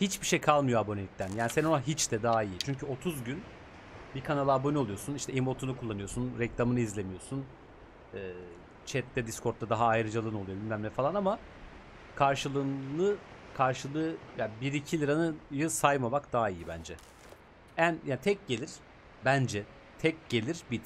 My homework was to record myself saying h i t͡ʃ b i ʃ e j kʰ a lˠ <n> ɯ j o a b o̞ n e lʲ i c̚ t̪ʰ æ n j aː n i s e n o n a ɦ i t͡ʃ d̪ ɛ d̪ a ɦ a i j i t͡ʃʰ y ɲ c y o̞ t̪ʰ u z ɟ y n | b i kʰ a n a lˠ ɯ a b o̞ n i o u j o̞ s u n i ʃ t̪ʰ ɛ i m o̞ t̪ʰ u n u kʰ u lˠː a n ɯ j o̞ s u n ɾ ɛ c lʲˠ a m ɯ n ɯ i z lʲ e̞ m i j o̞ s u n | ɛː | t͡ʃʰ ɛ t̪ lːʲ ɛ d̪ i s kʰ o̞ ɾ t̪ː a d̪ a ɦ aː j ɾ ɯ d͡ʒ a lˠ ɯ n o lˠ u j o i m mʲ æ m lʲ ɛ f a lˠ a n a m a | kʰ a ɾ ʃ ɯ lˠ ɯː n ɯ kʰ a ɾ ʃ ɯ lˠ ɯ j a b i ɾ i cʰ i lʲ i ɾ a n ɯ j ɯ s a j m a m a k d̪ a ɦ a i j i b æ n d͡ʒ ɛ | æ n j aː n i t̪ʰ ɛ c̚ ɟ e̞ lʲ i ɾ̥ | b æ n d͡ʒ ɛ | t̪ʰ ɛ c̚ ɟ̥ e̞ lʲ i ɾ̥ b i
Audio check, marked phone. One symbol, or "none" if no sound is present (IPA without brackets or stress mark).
m